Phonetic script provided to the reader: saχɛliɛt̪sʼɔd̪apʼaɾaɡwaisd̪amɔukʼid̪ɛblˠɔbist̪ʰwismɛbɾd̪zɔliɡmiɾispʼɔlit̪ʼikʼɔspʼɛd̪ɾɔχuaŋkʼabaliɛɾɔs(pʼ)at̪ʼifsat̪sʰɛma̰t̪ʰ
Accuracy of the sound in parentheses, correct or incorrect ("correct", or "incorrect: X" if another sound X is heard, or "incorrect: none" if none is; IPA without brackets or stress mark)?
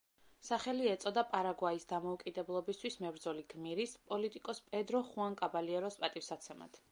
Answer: correct